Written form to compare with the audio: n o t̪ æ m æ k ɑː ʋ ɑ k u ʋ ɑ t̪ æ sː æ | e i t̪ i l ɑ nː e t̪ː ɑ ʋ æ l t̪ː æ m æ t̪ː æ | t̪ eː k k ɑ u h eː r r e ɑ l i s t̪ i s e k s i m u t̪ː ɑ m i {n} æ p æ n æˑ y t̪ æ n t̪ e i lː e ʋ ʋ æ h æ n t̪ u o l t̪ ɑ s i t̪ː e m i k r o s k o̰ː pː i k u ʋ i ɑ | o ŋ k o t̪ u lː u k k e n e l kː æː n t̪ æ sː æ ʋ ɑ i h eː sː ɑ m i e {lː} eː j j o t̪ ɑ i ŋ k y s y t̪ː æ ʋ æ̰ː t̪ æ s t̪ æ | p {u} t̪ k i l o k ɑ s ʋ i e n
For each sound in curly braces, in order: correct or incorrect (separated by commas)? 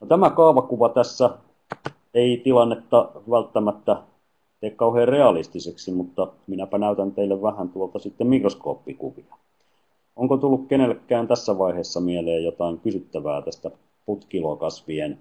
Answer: correct, incorrect, correct